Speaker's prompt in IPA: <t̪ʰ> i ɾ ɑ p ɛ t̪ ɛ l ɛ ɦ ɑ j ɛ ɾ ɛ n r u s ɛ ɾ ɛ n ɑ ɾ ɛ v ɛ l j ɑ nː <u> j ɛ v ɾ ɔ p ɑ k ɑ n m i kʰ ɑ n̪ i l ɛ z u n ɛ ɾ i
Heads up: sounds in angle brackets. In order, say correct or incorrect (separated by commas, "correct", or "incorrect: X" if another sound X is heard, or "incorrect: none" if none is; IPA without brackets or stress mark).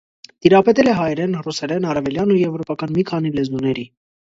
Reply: incorrect: t̪, correct